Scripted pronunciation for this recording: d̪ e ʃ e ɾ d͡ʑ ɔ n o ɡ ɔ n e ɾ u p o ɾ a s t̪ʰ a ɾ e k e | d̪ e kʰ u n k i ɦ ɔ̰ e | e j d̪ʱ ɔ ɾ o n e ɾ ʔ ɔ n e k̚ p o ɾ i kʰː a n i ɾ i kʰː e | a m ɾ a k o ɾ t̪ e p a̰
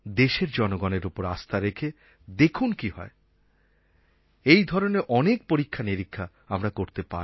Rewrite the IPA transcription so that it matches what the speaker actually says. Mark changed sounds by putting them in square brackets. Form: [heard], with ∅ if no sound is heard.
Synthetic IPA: d̪ e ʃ e ɾ d͡ʑ ɔ n o ɡ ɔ n e ɾ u p o ɾ a s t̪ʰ a ɾ e [kʰ] e | d̪ e kʰ u n k i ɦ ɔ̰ e | e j d̪ʱ ɔ ɾ o n e ɾ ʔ ɔ n e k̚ p o ɾ i kʰː a n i ɾ i kʰː [a] | a m ɾ a k o ɾ t̪ e p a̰